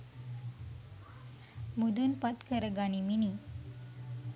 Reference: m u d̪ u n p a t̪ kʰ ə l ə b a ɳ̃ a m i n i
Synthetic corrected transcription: m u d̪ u n p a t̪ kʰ ə ɾ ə ɡ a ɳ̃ i m i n i